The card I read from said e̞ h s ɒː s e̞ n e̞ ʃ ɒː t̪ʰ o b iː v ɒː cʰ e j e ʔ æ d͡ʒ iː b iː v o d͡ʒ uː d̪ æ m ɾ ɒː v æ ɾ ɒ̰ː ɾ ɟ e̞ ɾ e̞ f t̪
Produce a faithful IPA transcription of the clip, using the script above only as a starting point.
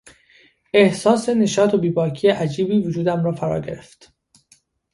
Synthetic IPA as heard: e̞ h s ɒː s e̞ n e̞ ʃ ɒː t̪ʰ o b iː b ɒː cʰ i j e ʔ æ d͡ʒ iː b iː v o d͡ʒ uː d̪ æ m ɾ ɒː f æ ɾ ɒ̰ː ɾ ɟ e̞ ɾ e̞ f t̪

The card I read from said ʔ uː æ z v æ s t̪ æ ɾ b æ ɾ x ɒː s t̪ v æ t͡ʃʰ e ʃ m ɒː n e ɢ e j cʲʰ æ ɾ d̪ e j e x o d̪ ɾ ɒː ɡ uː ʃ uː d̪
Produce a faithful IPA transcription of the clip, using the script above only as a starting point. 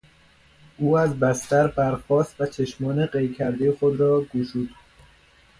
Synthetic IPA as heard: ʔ uː æ z b æ s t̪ æ ɾ b æ ɾ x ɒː s t̪ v æ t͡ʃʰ e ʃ m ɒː n e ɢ e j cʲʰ æ ɾ d̪ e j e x o d̪ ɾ ɒː ɡ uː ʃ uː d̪

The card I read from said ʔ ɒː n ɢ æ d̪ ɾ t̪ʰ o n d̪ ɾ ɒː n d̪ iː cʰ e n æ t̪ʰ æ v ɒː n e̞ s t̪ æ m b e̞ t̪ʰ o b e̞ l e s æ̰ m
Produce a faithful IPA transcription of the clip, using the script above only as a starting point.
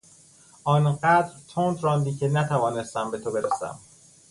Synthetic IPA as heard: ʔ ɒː n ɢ æ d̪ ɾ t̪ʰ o n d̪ ɾ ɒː n d̪ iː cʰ e n æ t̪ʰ æ v ɒː n e̞ s t̪ æ m b e̞ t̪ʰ o b e̞ ɾ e s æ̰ m

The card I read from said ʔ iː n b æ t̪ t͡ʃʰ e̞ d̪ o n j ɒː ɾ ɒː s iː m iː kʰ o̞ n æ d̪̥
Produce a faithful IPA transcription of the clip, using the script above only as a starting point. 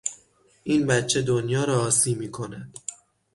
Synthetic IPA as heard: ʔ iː n b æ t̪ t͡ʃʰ e̞ d̪ o n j ɒː ɾ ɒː s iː m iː kʰ o̞ n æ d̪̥

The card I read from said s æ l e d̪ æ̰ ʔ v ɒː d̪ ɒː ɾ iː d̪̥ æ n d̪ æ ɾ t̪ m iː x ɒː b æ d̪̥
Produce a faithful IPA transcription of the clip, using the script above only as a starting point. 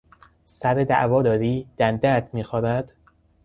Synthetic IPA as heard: s æ ɾ e d̪ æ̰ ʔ v ɒː d̪ ɒː ɾ iː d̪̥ æ n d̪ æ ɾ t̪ m iː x ɒː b æ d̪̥

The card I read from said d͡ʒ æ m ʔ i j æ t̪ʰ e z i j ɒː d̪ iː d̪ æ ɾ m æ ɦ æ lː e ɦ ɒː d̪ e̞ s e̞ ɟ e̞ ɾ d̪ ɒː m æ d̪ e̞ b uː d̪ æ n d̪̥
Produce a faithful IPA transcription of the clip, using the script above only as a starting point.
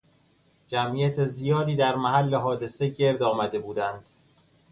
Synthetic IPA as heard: d͡ʒ æ m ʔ i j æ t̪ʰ e z i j ɒː d̪ iː d̪ æ ɾ m æ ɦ æ lː e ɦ ɒː d̪ e̞ s e̞ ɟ e̞ ɾ d̪ ɒː m æ d̪ e̞ b uː d̪ æ n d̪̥

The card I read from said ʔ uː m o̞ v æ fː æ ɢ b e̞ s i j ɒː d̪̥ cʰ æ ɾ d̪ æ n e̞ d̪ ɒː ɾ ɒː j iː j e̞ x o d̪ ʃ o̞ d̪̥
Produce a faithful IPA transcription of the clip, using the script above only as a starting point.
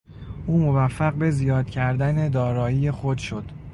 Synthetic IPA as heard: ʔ uː m o̞ v æ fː æ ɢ b e̞ z i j ɒː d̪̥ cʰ æ ɾ d̪ æ n e̞ d̪ ɒː ɾ ɒː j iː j e̞ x o d̪ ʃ o̞ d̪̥

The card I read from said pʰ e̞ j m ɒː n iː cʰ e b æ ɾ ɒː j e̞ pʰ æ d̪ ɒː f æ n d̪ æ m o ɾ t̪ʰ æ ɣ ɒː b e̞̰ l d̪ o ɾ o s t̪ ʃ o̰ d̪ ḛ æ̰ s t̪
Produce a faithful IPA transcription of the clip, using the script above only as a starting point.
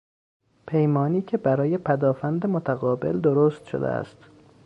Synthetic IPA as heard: pʰ e̞ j m ɒː n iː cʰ e b æ ɾ ɒː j e̞ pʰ æ d̪ ɒː f æ n d̪ e m o t̪ʰ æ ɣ ɒː b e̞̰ l d̪ o ɾ o s t̪ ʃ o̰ d̪ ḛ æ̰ s t̪

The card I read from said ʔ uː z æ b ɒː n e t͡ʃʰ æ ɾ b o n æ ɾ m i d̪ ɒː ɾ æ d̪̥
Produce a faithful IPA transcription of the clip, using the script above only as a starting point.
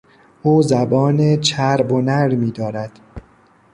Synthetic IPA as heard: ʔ uː z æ b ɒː n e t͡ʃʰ æ ɾ b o n æ ɾ m iː d̪ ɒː ɾ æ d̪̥

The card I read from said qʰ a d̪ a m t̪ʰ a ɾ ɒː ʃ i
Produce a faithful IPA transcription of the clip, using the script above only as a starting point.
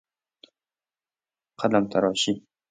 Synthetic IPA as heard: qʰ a d̪ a m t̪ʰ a ɾ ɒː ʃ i

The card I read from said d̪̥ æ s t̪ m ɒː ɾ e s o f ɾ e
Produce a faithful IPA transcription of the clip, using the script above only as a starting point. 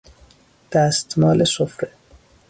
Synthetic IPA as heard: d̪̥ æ s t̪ m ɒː l e s o f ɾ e

